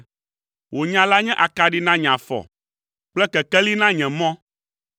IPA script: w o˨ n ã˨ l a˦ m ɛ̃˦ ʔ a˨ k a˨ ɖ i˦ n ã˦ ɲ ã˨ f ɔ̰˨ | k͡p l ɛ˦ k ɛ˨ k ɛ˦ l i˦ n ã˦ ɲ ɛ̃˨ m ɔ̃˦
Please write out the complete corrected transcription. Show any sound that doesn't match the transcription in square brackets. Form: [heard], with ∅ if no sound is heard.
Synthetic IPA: w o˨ [ɲ] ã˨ l a˦ [ɲ] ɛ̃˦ ʔ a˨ k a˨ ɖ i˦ n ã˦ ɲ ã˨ f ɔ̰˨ | k͡p l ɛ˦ k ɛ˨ k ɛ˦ l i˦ n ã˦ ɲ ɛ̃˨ m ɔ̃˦